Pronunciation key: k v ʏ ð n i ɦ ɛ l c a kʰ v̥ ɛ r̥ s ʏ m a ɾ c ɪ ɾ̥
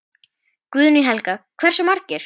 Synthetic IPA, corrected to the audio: k v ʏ ð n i ɦ ɛ l k a kʰ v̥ ɛ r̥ s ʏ m a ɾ c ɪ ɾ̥